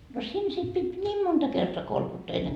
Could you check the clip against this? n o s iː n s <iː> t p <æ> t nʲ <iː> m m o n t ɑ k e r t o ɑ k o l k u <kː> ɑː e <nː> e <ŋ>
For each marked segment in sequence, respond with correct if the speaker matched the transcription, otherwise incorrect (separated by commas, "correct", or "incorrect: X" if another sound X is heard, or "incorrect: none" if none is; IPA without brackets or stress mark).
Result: incorrect: i, incorrect: i, correct, incorrect: tː, correct, correct